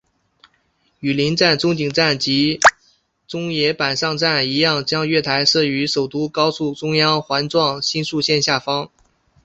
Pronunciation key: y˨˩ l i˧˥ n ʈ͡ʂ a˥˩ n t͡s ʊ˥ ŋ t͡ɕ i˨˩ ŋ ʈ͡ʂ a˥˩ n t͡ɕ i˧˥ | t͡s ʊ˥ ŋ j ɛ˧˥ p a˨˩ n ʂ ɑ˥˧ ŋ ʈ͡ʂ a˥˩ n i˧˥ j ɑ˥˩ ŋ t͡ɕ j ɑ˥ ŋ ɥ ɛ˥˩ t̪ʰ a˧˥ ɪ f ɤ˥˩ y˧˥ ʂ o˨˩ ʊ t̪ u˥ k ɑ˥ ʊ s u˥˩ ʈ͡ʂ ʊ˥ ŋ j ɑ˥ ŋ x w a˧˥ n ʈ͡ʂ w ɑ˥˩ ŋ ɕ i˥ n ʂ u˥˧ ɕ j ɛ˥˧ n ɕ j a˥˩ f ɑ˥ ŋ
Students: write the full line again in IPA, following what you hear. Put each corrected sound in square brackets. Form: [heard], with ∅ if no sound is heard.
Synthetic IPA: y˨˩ l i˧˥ n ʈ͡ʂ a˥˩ n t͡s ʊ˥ ŋ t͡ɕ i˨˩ ŋ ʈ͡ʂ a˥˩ n t͡ɕ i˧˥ | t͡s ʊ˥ ŋ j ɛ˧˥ p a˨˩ n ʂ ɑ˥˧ ŋ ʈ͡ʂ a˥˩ n i˧˥ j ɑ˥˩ ŋ t͡ɕ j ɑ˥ ŋ ɥ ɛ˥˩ t̪ʰ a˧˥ ɪ [ʂ] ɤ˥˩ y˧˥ ʂ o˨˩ ʊ t̪ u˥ k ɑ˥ ʊ s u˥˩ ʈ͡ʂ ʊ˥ ŋ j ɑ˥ ŋ x w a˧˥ n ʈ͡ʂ w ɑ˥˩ ŋ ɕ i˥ n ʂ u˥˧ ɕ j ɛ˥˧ n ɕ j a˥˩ f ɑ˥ ŋ